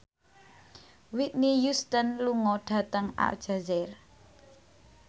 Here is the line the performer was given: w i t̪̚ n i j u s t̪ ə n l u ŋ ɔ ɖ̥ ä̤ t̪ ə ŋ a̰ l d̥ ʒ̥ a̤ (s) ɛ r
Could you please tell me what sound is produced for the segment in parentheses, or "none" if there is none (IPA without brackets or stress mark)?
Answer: z